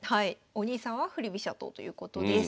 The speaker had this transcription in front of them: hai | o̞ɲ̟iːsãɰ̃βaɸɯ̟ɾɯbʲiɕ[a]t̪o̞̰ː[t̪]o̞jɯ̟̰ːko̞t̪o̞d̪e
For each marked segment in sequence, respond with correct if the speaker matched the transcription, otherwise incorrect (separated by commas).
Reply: correct, correct